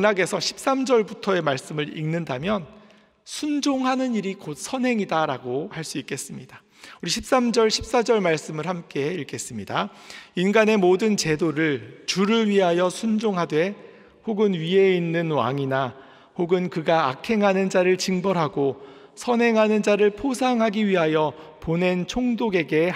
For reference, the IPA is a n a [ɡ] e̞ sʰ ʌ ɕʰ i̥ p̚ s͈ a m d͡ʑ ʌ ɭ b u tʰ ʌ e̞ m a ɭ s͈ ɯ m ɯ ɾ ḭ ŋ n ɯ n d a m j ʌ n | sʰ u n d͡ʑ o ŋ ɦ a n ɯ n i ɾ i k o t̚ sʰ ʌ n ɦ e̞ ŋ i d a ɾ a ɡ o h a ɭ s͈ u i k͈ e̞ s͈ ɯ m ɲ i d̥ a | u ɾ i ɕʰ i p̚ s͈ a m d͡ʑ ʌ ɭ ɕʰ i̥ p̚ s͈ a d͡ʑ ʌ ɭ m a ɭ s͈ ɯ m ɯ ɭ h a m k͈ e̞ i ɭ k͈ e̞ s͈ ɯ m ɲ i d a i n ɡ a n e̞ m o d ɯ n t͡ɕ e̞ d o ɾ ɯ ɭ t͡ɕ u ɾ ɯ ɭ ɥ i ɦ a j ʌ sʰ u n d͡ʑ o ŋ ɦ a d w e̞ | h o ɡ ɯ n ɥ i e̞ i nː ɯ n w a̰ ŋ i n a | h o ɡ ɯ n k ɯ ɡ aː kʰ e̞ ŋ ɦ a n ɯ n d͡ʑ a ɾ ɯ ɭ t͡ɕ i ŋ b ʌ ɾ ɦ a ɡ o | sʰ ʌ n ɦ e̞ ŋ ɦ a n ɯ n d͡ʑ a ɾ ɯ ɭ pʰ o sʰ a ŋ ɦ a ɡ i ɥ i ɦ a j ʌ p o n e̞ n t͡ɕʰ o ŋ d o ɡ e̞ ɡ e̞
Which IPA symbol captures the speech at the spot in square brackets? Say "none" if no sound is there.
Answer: ɡ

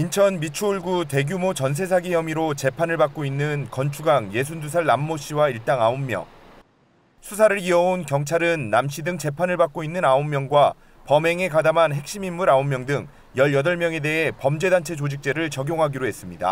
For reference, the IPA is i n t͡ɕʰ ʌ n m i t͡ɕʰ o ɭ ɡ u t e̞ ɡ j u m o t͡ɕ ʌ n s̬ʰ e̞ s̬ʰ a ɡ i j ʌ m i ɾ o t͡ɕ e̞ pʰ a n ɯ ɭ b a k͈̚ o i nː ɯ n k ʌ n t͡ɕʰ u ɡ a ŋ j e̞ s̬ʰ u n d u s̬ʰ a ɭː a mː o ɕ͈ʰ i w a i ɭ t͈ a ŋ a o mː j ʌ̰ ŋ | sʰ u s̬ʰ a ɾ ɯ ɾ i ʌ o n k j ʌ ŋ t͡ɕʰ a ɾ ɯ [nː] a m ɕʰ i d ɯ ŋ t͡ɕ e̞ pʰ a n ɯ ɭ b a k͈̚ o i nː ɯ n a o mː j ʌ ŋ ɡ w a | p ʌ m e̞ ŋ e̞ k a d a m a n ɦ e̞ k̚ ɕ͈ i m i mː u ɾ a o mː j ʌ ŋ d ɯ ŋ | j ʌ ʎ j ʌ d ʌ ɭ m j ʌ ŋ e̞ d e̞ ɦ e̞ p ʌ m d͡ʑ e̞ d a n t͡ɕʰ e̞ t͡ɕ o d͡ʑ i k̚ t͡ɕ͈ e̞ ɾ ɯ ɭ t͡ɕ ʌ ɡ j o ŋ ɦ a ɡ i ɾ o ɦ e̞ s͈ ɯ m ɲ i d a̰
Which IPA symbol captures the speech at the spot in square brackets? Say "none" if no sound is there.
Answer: nː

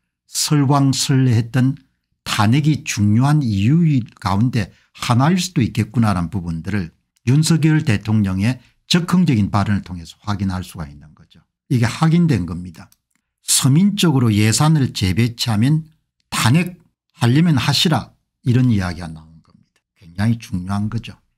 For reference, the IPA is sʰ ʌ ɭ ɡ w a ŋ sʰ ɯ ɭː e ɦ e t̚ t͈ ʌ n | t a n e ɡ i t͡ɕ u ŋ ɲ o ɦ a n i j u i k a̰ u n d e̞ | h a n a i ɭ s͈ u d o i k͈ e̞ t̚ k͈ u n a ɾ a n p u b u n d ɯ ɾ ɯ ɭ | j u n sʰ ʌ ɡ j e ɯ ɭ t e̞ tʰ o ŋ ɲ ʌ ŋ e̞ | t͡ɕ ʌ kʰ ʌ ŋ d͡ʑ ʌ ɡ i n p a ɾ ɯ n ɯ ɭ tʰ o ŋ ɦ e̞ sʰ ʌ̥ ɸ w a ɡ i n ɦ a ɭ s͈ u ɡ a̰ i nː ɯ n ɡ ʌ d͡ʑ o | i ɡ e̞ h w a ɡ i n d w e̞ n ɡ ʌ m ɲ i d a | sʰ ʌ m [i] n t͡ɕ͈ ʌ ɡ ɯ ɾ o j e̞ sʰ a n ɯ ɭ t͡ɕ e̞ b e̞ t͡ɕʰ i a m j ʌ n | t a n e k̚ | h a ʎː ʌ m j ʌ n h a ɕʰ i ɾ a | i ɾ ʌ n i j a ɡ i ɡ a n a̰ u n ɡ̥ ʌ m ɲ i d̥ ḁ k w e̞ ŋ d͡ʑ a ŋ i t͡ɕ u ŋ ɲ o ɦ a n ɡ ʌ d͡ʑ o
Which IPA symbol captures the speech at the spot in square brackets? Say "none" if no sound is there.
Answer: i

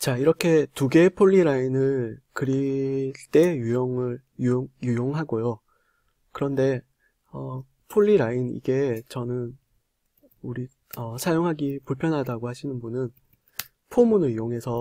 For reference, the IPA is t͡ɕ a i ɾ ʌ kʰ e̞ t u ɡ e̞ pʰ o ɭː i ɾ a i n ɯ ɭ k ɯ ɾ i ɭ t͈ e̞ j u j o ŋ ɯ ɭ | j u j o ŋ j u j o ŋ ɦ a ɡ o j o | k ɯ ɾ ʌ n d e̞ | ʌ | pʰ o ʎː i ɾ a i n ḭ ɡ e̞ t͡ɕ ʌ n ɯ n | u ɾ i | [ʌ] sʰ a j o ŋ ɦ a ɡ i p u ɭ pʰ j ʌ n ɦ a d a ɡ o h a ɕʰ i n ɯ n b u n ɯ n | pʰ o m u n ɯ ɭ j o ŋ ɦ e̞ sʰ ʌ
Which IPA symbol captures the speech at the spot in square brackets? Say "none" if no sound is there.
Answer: ʌ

